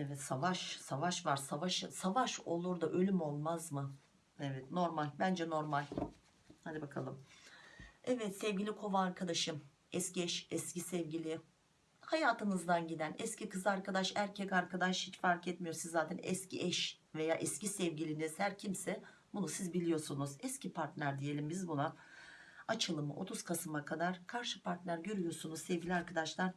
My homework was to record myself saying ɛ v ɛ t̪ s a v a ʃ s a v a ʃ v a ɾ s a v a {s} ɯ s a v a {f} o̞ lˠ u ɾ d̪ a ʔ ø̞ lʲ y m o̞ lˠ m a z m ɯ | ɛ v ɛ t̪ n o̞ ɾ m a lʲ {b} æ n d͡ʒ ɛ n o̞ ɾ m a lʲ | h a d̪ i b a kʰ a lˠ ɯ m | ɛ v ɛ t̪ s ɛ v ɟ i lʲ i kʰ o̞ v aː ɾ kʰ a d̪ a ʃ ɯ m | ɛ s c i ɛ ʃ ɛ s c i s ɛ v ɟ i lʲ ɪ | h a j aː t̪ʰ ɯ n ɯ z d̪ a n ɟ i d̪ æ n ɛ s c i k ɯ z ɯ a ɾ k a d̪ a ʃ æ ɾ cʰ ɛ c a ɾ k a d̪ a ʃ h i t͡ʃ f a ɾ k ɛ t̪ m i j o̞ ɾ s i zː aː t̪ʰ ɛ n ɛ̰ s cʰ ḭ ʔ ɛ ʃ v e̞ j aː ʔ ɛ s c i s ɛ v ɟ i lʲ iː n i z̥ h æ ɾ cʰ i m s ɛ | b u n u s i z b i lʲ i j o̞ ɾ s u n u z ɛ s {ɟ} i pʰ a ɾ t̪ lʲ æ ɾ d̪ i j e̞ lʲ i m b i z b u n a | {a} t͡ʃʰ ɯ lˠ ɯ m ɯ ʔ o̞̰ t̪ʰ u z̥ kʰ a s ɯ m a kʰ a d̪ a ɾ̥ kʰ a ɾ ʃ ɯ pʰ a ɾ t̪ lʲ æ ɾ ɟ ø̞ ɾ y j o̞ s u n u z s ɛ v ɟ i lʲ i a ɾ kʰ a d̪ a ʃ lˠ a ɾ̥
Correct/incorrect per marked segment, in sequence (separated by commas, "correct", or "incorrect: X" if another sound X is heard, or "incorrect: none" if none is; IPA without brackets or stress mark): incorrect: ʃ, incorrect: ʃ, correct, incorrect: c, correct